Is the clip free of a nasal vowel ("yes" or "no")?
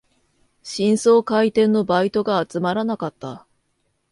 no